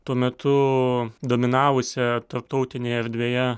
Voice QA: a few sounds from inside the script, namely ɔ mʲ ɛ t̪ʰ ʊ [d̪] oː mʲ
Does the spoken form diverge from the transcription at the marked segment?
no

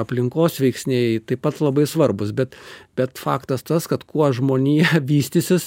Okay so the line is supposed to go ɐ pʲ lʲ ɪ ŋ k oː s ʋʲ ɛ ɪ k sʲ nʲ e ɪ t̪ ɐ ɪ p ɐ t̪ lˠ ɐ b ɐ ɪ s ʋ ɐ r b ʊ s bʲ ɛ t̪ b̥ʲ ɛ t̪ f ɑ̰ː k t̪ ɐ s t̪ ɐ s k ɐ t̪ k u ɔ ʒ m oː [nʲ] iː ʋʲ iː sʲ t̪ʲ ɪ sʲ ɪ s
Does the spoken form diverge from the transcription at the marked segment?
no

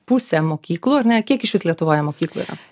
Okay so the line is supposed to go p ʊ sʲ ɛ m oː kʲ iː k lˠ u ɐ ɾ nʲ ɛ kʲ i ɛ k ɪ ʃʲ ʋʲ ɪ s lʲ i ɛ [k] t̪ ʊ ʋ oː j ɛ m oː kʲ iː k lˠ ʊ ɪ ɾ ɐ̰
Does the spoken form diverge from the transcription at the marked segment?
yes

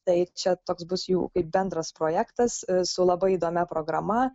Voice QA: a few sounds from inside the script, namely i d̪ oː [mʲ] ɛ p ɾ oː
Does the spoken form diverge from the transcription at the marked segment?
no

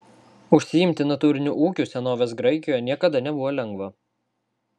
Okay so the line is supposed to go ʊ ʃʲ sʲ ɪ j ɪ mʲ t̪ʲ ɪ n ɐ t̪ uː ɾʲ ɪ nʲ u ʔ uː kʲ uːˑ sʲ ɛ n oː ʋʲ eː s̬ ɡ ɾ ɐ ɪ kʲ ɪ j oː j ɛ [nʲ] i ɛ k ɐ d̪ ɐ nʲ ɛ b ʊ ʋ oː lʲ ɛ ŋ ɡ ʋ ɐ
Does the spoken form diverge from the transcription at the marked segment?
no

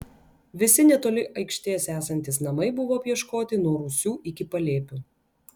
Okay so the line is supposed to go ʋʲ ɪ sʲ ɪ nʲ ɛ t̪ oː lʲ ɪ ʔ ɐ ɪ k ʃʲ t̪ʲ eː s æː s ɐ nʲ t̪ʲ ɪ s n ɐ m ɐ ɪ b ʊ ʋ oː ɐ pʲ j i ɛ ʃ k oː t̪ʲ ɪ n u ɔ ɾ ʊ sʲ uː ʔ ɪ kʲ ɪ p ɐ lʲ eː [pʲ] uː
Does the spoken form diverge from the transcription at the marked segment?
no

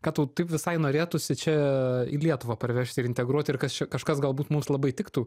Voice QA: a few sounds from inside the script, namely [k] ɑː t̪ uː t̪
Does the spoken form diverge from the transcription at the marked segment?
no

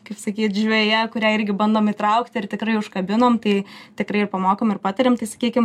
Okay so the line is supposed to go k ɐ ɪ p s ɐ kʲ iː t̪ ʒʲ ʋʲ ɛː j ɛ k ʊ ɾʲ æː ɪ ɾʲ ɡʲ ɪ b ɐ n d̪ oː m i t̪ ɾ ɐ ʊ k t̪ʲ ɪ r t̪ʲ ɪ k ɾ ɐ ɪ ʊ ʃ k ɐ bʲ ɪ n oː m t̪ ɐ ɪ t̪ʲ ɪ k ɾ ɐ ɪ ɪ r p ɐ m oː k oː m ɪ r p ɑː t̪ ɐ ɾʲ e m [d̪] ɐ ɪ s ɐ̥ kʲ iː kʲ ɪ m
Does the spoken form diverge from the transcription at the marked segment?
yes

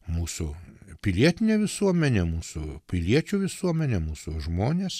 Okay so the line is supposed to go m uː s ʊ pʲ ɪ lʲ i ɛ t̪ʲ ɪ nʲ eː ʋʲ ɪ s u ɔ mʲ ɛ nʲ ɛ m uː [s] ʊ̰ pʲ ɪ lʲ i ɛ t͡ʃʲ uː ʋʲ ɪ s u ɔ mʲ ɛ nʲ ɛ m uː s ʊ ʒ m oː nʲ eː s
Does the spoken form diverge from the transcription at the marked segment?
no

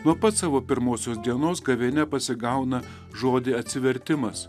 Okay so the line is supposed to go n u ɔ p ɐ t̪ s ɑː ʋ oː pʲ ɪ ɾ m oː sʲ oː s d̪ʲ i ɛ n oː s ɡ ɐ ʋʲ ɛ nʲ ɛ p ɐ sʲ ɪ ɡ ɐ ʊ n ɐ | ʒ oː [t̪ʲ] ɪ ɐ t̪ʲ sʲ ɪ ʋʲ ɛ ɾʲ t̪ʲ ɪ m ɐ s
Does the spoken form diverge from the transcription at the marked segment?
yes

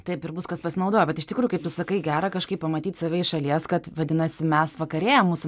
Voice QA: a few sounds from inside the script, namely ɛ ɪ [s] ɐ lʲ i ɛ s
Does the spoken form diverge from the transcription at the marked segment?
yes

